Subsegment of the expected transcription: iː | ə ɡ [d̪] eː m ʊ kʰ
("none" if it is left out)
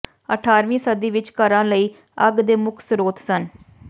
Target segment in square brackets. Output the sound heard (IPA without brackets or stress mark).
d̪